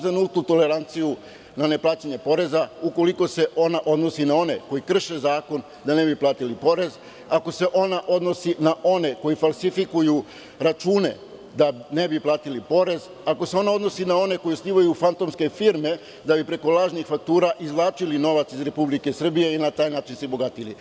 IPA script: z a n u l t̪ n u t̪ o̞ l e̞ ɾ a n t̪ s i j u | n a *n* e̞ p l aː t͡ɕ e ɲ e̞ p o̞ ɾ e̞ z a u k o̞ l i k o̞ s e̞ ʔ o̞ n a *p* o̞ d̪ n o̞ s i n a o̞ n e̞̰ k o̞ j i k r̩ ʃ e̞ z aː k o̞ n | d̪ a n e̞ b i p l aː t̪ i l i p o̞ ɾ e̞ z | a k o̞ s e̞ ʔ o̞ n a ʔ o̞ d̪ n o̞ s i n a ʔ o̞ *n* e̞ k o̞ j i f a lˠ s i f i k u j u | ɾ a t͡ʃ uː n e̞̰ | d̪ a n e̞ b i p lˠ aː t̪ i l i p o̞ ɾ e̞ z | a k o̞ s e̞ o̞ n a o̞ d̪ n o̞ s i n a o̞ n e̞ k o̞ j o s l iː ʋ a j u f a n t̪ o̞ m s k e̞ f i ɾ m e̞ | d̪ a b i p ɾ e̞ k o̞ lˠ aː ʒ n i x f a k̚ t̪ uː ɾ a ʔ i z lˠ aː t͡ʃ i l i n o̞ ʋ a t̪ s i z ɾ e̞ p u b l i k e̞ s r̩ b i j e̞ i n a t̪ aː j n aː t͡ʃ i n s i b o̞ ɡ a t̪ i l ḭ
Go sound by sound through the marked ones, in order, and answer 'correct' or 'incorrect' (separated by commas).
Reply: correct, incorrect, correct